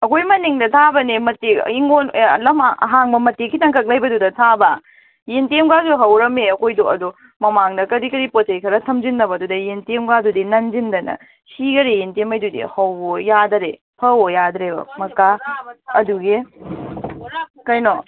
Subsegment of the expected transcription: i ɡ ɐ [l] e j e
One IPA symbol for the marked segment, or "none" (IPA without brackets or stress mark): ɾ